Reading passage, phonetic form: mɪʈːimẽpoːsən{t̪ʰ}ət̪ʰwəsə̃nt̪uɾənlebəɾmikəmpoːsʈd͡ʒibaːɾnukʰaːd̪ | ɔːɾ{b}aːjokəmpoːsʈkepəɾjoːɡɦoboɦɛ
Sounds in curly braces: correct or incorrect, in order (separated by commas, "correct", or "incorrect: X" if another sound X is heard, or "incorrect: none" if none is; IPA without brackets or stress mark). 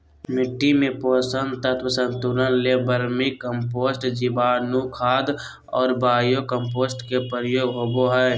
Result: incorrect: t̪, correct